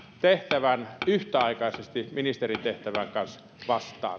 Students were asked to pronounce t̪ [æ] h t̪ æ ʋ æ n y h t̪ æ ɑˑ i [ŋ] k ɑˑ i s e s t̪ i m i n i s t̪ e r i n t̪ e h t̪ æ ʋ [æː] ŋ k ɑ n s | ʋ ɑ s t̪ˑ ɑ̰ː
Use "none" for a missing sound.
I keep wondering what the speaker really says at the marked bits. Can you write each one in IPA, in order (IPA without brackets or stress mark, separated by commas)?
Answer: e, none, æ